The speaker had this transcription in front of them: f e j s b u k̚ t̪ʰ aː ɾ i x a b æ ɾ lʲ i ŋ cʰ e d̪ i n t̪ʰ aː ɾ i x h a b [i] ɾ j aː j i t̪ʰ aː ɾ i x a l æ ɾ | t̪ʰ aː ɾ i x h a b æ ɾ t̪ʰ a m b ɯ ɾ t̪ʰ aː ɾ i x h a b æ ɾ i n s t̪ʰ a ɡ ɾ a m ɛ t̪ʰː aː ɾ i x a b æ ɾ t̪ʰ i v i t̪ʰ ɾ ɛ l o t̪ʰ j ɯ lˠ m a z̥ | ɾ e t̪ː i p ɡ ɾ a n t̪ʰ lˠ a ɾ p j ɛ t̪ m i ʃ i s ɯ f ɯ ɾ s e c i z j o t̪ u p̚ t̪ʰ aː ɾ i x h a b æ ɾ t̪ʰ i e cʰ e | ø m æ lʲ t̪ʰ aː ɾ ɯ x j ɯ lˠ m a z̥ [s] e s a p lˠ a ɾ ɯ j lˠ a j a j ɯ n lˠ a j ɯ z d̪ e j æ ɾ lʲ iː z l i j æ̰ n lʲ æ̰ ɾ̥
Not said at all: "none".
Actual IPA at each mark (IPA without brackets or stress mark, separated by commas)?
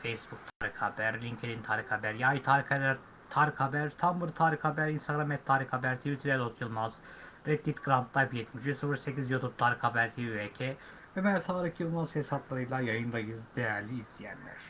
æ, h